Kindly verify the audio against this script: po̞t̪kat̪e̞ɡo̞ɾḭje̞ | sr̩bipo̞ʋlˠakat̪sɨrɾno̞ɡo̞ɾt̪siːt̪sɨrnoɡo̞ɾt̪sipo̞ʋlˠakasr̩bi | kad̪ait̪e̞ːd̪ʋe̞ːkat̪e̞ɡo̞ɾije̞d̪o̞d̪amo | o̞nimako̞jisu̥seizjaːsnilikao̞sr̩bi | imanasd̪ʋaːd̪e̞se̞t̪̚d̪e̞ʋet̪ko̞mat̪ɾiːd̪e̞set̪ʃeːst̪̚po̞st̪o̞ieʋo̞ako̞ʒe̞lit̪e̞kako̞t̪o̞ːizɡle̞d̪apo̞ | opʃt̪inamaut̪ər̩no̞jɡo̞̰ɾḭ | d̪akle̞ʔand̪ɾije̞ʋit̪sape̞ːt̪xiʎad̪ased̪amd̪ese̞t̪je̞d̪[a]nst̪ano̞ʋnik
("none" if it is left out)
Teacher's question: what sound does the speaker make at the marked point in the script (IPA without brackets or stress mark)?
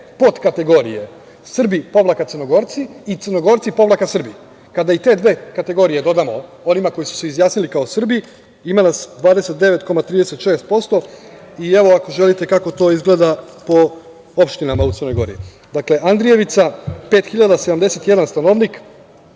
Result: a